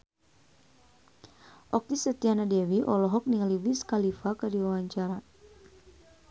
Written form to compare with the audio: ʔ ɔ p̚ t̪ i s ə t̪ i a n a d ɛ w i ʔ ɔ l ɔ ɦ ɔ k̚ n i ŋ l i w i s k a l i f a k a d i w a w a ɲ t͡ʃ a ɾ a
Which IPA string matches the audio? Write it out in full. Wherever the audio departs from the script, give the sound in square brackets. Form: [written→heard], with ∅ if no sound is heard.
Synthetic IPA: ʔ ɔ [p̚→k̚] t̪ i s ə t̪ i a n a d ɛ w i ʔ ɔ l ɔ ɦ ɔ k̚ n i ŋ l i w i s k a l i f a k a d i w a w a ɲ t͡ʃ a ɾ a